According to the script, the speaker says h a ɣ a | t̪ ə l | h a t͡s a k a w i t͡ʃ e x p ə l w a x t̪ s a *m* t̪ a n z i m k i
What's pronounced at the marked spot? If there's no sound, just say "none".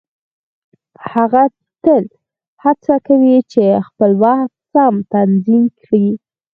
m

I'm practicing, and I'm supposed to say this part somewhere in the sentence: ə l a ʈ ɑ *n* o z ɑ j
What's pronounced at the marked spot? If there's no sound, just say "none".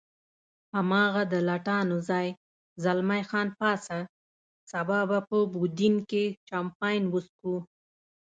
n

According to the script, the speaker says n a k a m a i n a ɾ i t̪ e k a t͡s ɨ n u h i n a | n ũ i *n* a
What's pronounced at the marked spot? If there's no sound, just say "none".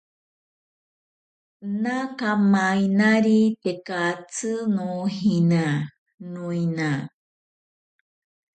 n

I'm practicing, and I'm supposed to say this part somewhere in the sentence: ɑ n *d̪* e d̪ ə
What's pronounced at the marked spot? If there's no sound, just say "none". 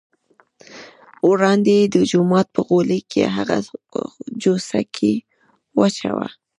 d̪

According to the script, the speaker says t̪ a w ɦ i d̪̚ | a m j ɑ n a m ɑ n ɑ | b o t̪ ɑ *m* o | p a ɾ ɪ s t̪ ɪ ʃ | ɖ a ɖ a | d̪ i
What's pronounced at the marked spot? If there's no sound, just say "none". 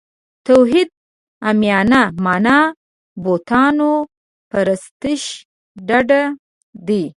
n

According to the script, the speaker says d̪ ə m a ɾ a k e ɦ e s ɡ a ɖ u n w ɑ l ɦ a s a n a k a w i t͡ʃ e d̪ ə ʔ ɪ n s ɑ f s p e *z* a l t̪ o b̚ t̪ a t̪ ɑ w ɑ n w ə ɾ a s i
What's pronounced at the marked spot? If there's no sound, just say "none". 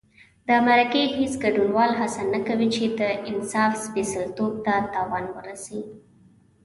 s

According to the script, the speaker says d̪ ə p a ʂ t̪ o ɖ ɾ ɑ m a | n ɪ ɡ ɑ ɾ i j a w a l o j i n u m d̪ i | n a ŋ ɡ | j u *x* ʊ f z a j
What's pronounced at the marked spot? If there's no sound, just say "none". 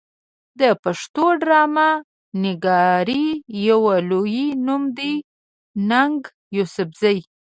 s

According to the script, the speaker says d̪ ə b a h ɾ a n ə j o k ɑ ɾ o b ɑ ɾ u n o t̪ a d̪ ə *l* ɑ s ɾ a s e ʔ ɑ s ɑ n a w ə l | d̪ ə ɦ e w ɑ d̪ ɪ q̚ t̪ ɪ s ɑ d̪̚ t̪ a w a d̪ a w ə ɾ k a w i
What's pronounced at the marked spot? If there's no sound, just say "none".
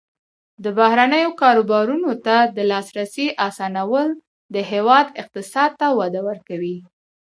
l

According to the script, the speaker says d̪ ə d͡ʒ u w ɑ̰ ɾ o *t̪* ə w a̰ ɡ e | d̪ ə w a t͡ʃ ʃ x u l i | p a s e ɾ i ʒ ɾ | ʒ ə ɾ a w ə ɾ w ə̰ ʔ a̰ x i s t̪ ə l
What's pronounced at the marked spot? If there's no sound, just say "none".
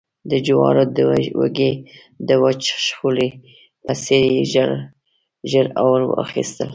d̪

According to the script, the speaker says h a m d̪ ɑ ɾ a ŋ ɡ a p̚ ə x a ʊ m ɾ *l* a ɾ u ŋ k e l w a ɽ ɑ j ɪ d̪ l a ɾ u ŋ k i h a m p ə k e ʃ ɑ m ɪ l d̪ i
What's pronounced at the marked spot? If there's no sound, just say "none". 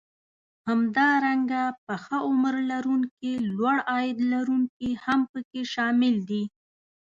l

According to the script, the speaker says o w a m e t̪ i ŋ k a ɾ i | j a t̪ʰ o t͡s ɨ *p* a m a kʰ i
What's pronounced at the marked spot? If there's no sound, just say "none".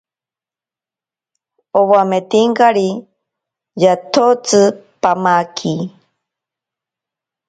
p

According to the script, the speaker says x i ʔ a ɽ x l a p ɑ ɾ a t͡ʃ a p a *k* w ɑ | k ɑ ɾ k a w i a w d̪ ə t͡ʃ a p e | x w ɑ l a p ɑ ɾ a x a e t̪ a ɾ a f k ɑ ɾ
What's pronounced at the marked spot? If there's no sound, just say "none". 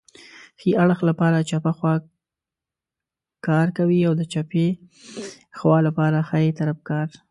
x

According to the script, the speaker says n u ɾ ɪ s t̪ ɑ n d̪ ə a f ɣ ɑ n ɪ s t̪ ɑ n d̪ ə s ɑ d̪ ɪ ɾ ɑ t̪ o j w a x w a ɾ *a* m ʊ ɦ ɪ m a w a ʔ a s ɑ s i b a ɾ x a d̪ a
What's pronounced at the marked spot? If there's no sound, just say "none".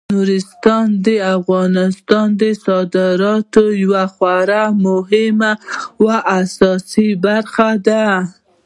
a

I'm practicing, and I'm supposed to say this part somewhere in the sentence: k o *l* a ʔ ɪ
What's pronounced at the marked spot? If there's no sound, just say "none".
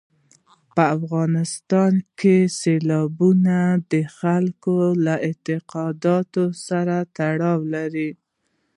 l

